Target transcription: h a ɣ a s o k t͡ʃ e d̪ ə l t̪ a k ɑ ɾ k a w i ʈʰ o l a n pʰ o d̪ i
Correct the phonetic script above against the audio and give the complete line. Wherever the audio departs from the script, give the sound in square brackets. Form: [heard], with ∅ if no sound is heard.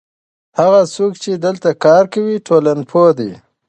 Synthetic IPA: h a ɣ a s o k t͡ʃ e d̪ ə l t̪ a k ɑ ɾ k a w i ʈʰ o l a n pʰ o d̪ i

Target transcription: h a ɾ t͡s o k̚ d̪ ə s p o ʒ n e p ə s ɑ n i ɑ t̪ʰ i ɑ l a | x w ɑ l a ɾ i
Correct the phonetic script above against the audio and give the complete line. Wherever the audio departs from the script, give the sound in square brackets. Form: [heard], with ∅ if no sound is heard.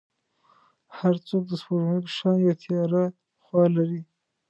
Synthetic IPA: h a ɾ t͡s o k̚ d̪ ə s p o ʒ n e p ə [ʃ] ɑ n [j] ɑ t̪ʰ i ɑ [ɾ] a | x w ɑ l a ɾ i

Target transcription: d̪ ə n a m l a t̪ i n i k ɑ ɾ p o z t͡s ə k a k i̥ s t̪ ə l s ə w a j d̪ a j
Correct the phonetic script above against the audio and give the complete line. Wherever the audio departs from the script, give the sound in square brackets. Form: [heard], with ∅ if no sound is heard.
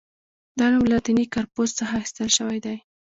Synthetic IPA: d̪ [ɑ] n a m l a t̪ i n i k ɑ ɾ p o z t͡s ə [x] a [x] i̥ s t̪ ə l [ʃ] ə w a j d̪ a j

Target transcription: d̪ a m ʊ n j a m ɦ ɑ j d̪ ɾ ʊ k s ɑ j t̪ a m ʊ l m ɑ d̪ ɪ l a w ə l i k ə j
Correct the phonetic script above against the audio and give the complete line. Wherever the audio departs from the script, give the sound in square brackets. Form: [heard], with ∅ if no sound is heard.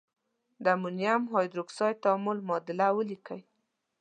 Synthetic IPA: d̪ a m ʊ n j a m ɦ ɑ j d̪ ɾ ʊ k s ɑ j t̪ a m ʊ l m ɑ d̪ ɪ l a w ə l i k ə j

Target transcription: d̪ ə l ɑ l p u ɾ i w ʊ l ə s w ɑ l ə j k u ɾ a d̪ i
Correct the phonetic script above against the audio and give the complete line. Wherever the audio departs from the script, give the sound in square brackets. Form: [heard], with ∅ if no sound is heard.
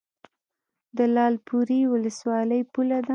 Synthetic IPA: d̪ ə l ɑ l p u ɾ i w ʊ l ə s w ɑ l ə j [p] u [l] a d̪ [a]

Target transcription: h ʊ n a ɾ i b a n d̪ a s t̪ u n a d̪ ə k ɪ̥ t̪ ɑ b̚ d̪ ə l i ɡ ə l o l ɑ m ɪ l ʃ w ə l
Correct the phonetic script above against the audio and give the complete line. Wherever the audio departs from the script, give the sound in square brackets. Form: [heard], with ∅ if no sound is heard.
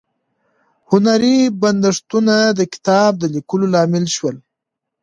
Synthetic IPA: h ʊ n a ɾ i b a n d̪ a [ʂ] t̪ u n a d̪ ə k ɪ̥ t̪ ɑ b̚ d̪ ə l i [k] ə l o l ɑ m ɪ l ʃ w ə l

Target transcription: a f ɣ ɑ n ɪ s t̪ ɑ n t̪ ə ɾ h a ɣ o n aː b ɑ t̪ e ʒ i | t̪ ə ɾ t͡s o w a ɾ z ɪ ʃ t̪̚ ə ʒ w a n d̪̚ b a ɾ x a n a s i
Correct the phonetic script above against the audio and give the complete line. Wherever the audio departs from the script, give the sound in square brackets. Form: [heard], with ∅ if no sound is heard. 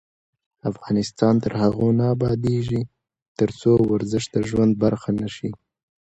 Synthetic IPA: a f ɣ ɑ n ɪ s t̪ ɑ n t̪ ə ɾ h a ɣ o n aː b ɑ [d̪] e ʒ i | t̪ ə ɾ t͡s o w a ɾ z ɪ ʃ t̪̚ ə ʒ w a n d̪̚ b a ɾ x a n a [ʃ] i

